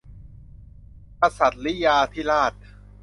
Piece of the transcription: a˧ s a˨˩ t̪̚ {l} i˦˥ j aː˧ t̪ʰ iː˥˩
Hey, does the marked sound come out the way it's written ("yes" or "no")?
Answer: yes